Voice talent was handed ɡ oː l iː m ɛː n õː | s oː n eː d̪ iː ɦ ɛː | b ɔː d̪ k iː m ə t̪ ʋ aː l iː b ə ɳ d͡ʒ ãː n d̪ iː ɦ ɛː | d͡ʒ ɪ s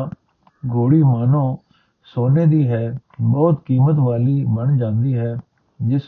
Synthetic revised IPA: ɡ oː ɽ iː m aː n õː | s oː n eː d̪ iː ɦ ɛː | b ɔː t̪ k iː m ə t̪ ʋ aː l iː b ə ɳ d͡ʒ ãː n d̪ iː ɦ ɛː | d͡ʒ ɪ s